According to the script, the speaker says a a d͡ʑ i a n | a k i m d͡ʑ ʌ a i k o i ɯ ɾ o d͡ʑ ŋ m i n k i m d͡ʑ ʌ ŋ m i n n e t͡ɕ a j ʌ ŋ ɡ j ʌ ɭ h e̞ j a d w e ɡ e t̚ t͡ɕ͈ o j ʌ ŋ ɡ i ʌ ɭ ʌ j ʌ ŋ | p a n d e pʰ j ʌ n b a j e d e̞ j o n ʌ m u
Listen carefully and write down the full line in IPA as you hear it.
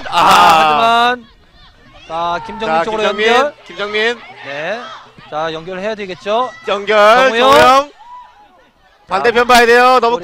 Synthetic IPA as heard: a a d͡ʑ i a n | a k i m d͡ʑ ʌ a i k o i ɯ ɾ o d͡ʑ ŋ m i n k i m d͡ʑ ʌ ŋ m i n n e t͡ɕ a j ʌ ŋ ɡ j ʌ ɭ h e̞ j a d w e ɡ e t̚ t͡ɕ͈ o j ʌ ŋ ɡ j ʌ ɭ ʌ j ʌ ŋ | p a n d e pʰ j ʌ n b a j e d e̞ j o n ʌ m u